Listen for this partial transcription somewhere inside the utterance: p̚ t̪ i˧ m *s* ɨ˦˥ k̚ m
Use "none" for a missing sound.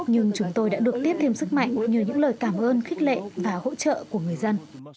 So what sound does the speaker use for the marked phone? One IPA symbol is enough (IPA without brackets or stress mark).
s